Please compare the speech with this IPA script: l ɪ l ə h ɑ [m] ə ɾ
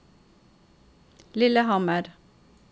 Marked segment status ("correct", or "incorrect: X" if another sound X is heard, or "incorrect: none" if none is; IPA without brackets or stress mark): correct